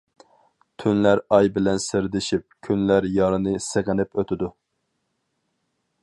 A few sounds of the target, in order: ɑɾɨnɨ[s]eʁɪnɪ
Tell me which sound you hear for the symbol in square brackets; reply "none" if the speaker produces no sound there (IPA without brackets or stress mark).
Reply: s